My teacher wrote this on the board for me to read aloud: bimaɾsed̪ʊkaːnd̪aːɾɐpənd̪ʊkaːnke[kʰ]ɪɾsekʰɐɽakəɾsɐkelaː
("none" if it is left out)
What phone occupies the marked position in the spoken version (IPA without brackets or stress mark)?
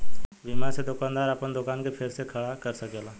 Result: pʰ